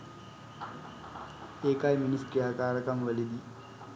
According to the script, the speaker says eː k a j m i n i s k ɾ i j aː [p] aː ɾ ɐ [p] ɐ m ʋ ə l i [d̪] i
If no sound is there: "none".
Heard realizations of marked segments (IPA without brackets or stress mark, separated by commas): k, k, d̪